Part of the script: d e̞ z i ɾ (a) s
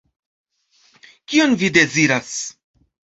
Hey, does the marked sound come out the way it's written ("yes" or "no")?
yes